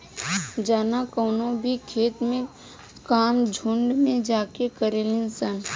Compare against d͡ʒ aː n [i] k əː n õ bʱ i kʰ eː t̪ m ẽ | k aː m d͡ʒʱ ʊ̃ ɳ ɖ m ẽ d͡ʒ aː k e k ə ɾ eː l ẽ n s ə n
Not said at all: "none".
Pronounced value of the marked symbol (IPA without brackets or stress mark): a